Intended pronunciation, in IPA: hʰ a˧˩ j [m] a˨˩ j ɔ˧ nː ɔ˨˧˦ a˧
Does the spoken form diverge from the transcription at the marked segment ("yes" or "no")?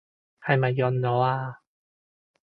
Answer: no